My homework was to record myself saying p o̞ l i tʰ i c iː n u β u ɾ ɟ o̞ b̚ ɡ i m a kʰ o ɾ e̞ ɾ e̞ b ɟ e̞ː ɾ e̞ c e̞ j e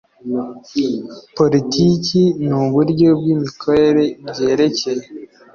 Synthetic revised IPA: p o̞ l i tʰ i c i n u β u ɾ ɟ o̞ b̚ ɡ i m i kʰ o ɾ e̞ ɾ e̞ b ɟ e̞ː ɾ e̞ c e̞ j e

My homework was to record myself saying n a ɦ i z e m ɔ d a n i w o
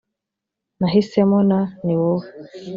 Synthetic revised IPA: n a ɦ i s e m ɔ n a n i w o

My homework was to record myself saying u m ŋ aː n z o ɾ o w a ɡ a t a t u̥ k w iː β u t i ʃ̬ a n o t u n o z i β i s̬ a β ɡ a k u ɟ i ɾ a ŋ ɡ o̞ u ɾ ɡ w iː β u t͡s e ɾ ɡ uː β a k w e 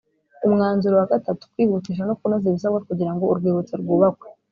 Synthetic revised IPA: u m ŋ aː n z u ɾ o w a ɡ a t a t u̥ k w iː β u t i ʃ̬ a n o k u n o z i β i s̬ a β ɡ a k u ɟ i ɾ a ŋ ɡ o̞ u ɾ ɡ w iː β u t͡s e ɾ ɡ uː β a k w e

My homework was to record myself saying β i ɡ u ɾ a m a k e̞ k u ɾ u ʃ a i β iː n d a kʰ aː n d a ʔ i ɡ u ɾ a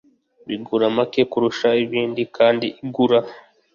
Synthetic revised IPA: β i ɡ u ɾ a m a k e̞ k u ɾ u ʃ a i β iː n d i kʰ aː n d i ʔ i ɡ u ɾ a

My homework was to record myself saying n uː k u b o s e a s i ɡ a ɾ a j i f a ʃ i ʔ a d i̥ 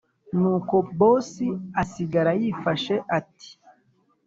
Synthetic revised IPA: n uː k o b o s i a s i ɡ a ɾ a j i f a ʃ e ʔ a t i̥

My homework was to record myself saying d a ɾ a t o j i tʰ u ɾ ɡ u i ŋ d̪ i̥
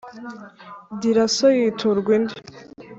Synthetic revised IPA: d i ɾ a s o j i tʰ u ɾ ɡ w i n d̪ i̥

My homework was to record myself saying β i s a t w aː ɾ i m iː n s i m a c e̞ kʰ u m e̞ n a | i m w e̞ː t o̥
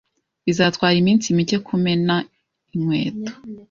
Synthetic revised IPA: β i z a t w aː ɾ i m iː n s i m i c e̞ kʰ u m e̞ n a | i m w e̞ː t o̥

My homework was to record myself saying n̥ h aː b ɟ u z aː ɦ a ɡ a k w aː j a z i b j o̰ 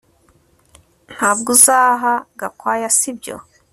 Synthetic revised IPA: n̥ h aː b ɡ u z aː ɦ a ɡ a k w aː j a s i b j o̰

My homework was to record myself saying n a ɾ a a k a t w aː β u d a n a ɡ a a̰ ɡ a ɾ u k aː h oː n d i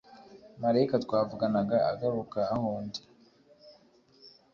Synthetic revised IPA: m a ɾ a i k a t w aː v u ɡ a n a ɡ a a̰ ɡ a ɾ u k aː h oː n d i

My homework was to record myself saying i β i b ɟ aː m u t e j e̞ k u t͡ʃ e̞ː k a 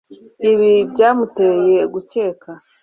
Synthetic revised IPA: i β i b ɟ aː m u t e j e̞ ɡ u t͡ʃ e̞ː k a

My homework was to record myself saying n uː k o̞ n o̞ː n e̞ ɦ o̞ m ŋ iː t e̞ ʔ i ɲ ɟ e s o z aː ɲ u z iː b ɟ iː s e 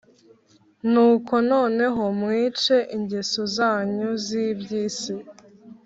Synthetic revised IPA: n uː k o̞ n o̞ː n e̞ ɦ o̞ m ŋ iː t͡ʃ e̞ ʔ i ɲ ɟ e s o z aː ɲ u z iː b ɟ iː s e

